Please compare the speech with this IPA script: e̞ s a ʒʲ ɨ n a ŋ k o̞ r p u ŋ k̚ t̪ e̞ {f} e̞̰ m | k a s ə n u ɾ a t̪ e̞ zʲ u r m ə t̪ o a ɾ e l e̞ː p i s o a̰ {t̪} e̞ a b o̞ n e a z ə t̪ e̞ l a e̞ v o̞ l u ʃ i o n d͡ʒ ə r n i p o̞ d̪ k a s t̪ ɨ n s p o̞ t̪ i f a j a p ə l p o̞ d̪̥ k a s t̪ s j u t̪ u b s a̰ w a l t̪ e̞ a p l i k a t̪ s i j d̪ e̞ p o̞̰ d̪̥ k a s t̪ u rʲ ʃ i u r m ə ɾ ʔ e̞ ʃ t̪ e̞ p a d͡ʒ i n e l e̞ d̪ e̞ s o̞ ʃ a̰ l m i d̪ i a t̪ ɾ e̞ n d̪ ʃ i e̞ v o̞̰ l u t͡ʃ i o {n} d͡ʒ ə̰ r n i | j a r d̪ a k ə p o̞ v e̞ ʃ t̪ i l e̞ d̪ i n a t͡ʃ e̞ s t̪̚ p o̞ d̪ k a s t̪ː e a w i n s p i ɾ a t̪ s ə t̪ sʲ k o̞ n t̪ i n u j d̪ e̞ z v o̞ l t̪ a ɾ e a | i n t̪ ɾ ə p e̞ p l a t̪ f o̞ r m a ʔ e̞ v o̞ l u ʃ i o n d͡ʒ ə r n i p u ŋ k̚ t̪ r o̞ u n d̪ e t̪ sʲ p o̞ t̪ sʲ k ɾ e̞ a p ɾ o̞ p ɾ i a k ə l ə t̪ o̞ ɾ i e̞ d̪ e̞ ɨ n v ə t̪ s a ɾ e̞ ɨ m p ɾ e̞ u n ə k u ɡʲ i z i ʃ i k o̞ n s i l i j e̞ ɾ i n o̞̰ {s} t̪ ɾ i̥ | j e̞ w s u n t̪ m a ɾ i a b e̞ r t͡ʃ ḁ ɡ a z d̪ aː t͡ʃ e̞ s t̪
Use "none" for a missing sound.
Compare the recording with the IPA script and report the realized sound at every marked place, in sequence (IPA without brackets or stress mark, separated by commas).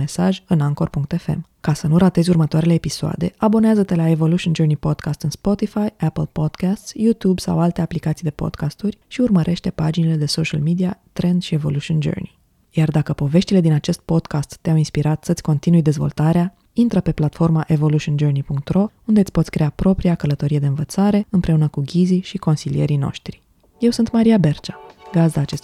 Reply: f, d̪, n, ʃ